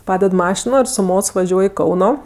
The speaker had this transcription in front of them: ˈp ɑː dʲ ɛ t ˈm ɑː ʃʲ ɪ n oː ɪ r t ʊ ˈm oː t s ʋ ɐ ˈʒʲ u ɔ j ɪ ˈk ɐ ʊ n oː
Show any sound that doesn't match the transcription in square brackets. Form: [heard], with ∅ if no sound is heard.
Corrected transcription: ˈp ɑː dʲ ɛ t ˈm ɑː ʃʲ ɪ n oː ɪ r [s] ʊ ˈm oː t s ʋ ɐ ˈʒʲ u ɔ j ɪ ˈk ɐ ʊ n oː

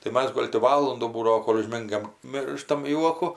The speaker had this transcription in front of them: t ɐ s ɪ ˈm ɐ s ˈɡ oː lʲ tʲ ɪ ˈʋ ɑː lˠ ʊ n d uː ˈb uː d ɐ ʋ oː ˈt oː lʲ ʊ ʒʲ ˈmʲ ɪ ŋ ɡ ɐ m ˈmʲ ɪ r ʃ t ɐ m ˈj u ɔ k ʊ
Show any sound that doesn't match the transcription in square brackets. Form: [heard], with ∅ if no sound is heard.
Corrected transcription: t ɐ [∅] ɪ ˈm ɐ s ˈɡ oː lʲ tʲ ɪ ˈʋ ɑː lˠ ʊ n d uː ˈb uː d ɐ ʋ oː [ˈk] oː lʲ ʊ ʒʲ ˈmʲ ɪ ŋ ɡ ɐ m ˈmʲ ɪ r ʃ t ɐ m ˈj u ɔ k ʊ

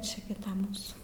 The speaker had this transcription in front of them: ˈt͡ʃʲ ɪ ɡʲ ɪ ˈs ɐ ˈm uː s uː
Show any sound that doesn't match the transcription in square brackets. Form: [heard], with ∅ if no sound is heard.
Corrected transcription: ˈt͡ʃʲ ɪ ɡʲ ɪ [ˈt] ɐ ˈm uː s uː

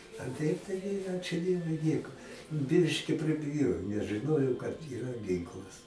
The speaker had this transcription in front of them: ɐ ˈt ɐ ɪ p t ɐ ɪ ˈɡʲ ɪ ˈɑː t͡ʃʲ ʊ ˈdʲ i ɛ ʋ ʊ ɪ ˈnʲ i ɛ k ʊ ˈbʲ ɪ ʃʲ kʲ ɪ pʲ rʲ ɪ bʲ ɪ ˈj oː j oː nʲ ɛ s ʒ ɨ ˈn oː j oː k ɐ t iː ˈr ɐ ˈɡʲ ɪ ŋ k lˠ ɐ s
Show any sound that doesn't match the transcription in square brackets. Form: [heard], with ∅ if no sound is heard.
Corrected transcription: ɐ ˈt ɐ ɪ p t ɐ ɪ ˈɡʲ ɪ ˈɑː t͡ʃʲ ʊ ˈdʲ i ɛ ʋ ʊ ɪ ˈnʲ i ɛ k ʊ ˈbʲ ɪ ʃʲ kʲ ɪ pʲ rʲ ɪ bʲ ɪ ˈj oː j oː nʲ ɛ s ʒ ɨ ˈn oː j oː k ɐ t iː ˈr ɐ ˈɡʲ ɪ ŋ k lˠ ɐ s

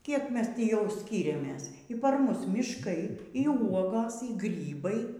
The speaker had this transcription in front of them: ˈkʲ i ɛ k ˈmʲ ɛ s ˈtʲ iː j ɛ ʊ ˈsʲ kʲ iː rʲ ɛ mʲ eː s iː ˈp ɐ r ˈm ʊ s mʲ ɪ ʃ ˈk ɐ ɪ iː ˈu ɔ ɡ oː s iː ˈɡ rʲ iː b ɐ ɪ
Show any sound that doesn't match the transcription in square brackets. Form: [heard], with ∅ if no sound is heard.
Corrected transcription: ˈkʲ i ɛ k ˈmʲ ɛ s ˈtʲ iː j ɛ ʊ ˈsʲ kʲ iː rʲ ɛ mʲ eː s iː ˈp ɐ r ˈm ʊ s mʲ ɪ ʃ ˈk ɐ ɪ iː ˈu ɔ ɡ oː s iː ˈɡ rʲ iː b ɐ ɪ

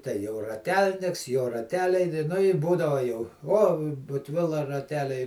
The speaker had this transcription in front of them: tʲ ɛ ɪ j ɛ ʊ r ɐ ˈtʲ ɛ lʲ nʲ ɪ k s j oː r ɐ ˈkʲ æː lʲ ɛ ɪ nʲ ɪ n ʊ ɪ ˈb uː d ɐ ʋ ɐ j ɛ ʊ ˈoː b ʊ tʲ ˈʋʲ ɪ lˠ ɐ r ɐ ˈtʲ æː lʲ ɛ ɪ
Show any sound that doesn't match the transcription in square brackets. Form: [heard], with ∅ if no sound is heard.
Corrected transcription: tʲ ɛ ɪ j ɛ ʊ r ɐ ˈtʲ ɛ lʲ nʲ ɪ k s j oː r ɐ [ˈtʲ] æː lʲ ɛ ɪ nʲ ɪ n ʊ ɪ ˈb uː d ɐ ʋ ɐ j ɛ ʊ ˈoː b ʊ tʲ ˈʋʲ ɪ lˠ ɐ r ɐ ˈtʲ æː lʲ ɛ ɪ

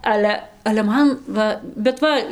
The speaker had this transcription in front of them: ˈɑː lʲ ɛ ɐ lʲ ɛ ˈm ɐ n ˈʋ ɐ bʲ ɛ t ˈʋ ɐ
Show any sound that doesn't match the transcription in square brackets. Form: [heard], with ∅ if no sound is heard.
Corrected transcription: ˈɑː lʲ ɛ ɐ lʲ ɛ ˈm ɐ n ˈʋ ɐ bʲ ɛ t ˈʋ ɐ

